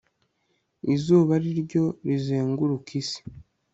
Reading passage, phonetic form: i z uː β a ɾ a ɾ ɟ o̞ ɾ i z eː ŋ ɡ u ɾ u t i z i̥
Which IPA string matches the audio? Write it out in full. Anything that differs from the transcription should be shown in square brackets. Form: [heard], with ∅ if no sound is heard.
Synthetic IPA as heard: i z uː β a ɾ [i] ɾ ɟ o̞ ɾ i z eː ŋ ɡ u ɾ u [k] i [s] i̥